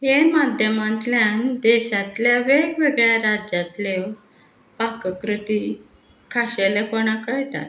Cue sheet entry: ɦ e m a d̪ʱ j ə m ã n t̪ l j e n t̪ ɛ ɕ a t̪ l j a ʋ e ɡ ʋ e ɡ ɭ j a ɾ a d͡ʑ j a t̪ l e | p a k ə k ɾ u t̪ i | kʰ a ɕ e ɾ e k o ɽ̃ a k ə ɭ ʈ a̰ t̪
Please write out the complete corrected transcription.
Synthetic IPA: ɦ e m a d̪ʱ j ə m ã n t̪ l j a n d̪ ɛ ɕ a t̪ l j a ʋ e ɡ ʋ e ɡ ɭ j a ɾ a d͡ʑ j a t̪ l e | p a k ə k ɾ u t̪ i | kʰ a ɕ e l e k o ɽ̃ a k ə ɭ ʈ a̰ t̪